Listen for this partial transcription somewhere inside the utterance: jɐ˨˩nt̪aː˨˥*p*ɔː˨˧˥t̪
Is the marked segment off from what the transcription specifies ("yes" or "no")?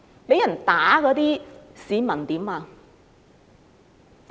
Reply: yes